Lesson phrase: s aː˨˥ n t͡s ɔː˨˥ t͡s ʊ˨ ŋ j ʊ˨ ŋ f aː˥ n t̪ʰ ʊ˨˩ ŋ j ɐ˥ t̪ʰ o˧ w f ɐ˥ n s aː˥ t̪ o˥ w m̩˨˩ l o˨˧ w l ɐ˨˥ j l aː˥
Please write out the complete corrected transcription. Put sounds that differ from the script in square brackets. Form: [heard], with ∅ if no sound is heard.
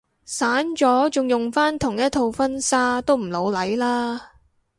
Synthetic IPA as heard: s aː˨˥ n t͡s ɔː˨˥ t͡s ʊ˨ ŋ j ʊ˨ ŋ f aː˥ n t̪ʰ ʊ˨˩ ŋ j ɐ˥ t̪ʰ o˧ w f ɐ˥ n s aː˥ t̪ o˥ w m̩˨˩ l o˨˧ w l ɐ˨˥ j l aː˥